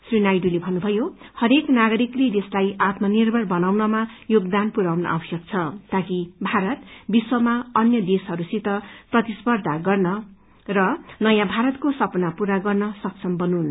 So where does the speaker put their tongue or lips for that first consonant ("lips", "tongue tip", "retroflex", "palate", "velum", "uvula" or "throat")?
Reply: tongue tip